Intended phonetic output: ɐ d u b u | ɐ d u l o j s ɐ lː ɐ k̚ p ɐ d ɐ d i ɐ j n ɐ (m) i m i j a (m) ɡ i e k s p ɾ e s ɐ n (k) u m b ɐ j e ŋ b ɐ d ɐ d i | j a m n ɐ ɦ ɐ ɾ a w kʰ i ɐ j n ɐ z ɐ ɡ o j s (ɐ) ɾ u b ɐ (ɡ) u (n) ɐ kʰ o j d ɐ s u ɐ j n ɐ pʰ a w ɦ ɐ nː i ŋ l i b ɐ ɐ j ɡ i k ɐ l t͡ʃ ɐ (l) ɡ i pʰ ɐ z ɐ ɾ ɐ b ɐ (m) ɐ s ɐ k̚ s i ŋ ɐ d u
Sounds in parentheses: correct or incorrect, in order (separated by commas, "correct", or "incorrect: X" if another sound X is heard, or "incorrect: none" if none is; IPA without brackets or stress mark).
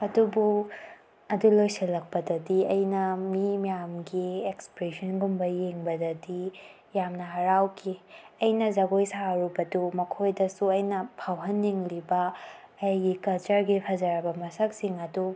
correct, correct, incorrect: ɡ, incorrect: a, incorrect: d, incorrect: m, incorrect: ɾ, correct